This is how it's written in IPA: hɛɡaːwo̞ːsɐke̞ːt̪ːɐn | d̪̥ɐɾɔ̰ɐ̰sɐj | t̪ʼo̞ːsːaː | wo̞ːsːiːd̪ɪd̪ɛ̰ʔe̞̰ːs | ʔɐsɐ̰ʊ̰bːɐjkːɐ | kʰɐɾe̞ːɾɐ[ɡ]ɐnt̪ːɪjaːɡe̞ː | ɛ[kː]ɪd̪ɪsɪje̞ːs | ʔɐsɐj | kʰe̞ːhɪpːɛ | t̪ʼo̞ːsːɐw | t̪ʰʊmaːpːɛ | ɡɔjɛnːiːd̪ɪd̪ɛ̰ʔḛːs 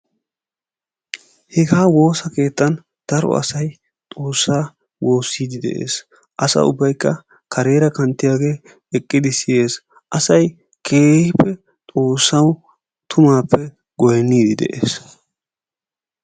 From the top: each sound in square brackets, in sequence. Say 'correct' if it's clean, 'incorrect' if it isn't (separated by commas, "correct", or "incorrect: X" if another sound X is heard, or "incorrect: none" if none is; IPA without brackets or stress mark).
incorrect: k, incorrect: kʼː